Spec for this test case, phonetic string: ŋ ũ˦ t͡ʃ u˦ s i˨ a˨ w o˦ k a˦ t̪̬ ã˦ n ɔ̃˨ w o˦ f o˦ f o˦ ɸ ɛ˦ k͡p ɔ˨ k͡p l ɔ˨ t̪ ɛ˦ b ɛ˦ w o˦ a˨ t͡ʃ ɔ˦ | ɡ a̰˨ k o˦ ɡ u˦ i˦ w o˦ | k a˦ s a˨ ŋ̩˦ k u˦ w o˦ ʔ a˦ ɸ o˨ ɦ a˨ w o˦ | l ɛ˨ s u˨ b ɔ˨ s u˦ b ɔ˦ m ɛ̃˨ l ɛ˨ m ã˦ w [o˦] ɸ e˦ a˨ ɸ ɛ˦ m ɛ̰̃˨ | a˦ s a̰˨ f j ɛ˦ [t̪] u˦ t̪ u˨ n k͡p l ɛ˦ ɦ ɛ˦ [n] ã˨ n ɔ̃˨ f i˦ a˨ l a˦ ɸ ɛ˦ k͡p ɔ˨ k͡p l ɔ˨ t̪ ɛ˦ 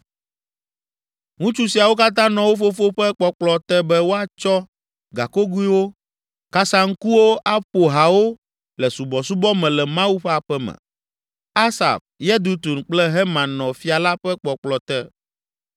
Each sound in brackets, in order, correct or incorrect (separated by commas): incorrect, incorrect, incorrect